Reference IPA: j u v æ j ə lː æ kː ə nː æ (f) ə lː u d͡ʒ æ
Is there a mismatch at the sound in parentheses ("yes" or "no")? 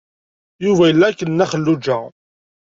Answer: yes